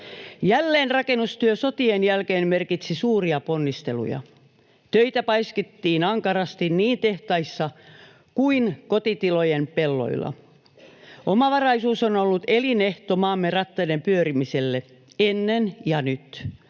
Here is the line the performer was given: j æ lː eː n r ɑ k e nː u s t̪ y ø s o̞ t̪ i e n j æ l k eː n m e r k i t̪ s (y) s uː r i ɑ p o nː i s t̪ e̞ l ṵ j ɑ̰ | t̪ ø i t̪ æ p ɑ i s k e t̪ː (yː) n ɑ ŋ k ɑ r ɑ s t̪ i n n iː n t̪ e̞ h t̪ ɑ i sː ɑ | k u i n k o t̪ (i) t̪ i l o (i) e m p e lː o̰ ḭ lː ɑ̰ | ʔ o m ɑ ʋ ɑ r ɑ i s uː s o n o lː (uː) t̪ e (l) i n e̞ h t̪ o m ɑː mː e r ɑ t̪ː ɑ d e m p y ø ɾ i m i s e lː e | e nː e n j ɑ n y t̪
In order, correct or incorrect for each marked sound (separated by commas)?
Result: incorrect, incorrect, correct, incorrect, incorrect, correct